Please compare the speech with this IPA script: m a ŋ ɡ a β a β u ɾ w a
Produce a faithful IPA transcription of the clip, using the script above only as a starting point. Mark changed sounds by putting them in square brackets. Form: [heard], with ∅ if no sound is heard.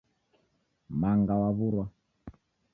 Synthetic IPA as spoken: m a ŋ ɡ a [w] a β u ɾ w a

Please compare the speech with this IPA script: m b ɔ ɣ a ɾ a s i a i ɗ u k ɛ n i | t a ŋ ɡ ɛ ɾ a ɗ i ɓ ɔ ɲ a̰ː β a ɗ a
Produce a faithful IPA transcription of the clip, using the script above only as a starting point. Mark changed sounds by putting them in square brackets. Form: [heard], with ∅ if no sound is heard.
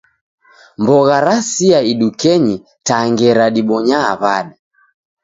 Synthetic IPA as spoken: m b ɔ ɣ a ɾ a s i a i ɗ u k ɛ [ɲ] i | t a ŋ ɡ ɛ ɾ a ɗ i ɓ ɔ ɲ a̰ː β a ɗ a

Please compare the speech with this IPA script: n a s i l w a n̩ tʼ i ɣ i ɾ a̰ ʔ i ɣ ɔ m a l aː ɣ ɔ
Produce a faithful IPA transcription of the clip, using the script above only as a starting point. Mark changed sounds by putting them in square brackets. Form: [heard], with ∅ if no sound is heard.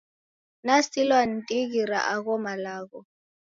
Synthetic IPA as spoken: n a s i l w a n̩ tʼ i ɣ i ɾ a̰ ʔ [a] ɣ ɔ m a l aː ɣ ɔ

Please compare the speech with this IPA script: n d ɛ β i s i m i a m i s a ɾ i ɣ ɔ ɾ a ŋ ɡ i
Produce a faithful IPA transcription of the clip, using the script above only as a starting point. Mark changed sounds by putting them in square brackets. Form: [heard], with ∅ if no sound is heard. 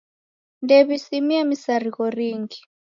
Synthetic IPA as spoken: n d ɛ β i s i m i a m i s a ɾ i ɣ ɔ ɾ [i] ŋ ɡ i

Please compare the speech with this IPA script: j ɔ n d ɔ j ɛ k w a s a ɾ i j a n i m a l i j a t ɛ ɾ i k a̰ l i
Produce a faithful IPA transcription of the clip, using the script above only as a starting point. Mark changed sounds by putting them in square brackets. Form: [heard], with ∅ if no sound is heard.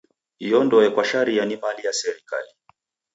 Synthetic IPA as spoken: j ɔ n d ɔ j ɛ k w a [ʃ] a ɾ i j a n i m a l i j a [s] ɛ ɾ i k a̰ l i

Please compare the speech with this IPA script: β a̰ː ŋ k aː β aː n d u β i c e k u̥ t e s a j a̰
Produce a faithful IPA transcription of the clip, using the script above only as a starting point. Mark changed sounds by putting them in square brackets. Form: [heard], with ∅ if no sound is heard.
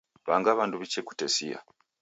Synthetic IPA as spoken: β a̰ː ŋ [ɡ] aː β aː n d u β i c e k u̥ t e s [i] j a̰

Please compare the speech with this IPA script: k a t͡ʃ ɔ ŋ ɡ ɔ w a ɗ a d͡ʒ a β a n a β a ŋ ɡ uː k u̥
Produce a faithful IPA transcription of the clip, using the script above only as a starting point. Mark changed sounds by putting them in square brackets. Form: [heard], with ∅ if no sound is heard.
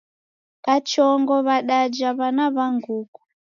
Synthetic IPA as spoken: k a t͡ʃ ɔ ŋ ɡ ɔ [β] a ɗ a d͡ʒ a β a n a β a ŋ ɡ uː k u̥

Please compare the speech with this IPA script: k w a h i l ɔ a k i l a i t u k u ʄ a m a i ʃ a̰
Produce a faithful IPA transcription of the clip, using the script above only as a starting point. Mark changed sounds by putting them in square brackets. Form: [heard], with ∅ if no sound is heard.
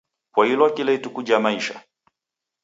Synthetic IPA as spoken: k w a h i l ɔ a k i l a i t u k u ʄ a m a i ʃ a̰

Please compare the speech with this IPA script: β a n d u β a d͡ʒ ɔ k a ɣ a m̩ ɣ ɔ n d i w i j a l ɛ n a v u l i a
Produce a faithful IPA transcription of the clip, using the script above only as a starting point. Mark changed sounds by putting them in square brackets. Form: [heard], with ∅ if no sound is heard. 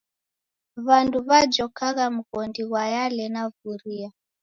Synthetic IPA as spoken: β a n d u β a d͡ʒ ɔ k a ɣ a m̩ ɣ ɔ n d i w [a] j a l ɛ n a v u [ɾ] i a

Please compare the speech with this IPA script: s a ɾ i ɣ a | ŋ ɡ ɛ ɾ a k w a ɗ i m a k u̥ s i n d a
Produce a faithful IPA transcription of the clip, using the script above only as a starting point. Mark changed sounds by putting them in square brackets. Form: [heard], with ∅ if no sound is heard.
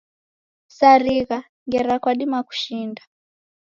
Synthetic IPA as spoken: s a ɾ i ɣ a | ŋ ɡ ɛ ɾ a k w a ɗ i m a k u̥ [ʃ] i n d a

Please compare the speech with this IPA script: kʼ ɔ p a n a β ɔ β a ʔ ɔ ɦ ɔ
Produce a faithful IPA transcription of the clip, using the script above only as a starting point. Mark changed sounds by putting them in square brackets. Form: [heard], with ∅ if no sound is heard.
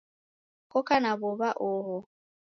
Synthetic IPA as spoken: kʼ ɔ [k] a n a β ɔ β a ʔ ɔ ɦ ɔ

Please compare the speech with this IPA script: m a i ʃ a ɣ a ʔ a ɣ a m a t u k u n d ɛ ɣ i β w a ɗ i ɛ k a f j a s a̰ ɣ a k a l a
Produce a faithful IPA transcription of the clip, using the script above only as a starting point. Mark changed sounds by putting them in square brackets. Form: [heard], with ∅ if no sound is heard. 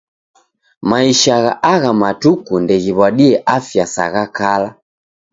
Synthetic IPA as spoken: m a i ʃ a ɣ a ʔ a ɣ a m a t u k u n d ɛ ɣ i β w a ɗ i ɛ [ʔ] a f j a s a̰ ɣ a k a l a

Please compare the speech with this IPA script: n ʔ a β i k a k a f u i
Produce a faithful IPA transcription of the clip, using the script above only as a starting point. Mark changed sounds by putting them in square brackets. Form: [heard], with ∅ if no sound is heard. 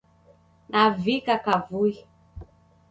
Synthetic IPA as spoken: n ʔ a [v] i k a k a [v] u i

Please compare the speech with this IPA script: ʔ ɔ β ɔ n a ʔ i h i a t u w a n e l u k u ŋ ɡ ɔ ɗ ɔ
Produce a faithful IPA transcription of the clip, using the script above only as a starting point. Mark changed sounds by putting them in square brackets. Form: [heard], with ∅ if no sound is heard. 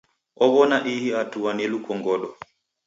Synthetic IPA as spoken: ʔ ɔ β ɔ n a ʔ i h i a t u w a n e l u k [ɔ] ŋ ɡ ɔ ɗ ɔ

